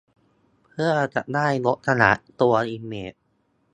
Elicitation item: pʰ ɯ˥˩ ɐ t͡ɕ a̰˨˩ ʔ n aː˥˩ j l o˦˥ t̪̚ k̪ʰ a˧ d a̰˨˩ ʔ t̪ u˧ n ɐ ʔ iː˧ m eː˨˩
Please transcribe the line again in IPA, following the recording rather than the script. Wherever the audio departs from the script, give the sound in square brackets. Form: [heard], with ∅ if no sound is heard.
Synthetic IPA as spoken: pʰ ɯ˥˩ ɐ t͡ɕ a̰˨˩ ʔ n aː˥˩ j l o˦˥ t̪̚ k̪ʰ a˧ [n] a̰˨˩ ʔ t̪ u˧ [∅] ɐ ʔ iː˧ m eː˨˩